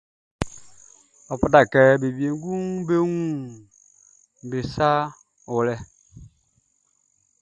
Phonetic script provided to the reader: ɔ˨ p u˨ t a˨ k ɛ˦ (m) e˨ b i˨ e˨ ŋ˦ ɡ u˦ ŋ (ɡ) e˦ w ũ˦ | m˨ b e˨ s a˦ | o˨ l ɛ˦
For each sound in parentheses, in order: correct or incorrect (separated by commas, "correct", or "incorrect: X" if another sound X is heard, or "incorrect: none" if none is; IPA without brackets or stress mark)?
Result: incorrect: b, incorrect: b